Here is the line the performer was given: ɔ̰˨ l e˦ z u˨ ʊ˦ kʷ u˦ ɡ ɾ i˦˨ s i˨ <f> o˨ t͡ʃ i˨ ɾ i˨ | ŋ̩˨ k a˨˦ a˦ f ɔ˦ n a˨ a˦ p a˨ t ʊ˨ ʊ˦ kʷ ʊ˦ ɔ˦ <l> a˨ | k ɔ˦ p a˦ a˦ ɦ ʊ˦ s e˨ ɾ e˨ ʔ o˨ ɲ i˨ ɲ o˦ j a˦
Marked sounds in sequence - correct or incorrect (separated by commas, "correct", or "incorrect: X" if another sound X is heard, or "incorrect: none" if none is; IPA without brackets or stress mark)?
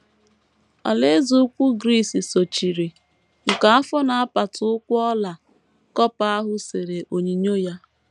incorrect: s, correct